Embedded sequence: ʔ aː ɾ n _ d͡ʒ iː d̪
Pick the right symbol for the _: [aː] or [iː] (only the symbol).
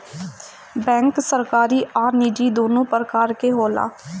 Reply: iː